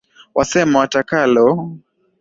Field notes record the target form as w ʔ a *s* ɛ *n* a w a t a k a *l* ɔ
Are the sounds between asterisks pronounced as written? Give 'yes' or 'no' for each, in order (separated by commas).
yes, no, yes